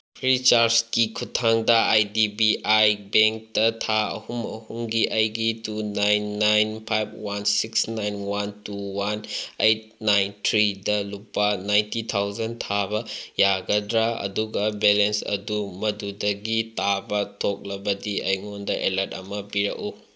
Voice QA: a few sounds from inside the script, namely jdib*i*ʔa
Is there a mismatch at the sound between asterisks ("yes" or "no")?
no